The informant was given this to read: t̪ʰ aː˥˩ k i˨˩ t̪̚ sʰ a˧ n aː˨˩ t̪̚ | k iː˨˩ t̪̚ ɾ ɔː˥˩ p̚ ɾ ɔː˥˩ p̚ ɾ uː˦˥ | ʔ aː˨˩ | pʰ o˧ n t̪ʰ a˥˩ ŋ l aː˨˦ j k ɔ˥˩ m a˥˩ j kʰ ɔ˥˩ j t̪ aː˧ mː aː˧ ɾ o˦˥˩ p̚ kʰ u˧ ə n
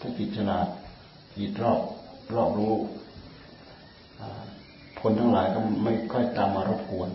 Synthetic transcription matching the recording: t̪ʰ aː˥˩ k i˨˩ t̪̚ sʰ a˧ n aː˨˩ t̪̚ | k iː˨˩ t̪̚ ɾ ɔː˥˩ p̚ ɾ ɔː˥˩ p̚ ɾ uː˦˥ | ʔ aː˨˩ | pʰ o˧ n t̪ʰ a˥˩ ŋ l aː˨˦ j k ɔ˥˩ m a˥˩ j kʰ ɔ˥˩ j t̪ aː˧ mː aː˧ ɾ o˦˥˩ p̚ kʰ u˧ ə n